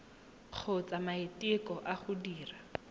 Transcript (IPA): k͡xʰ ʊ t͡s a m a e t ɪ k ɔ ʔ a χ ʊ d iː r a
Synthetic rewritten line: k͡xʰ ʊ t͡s a m a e t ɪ k ɔ ʔ a χ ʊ d iː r a